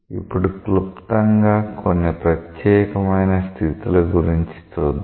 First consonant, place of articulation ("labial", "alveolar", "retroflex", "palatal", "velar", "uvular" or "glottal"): labial